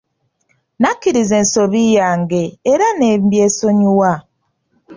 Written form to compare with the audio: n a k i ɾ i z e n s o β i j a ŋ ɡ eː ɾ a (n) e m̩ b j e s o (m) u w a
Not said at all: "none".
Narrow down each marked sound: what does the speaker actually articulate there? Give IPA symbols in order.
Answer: n, ɲ

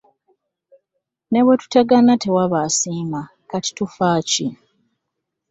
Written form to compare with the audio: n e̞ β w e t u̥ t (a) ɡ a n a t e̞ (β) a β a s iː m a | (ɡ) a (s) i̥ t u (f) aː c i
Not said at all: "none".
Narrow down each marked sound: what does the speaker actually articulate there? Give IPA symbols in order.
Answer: a, w, k, t, f

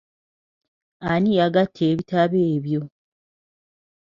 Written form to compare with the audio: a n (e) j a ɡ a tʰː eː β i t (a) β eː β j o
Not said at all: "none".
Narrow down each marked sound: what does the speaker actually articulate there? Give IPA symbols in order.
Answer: i, a

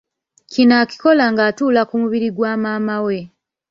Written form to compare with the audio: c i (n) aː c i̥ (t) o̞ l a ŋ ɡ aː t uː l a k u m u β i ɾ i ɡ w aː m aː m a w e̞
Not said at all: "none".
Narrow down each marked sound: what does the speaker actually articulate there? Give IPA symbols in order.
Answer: n, k

